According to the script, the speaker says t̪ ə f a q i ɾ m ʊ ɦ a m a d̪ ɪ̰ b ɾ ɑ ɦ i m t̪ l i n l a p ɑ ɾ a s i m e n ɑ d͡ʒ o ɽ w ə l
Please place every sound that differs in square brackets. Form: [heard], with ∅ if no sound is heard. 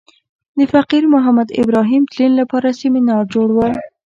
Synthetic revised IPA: [d̪] ə f a q i ɾ m ʊ ɦ a m a d̪ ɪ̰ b ɾ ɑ ɦ i m t̪ l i n l a p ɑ ɾ a s i m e n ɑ d͡ʒ o ɽ w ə l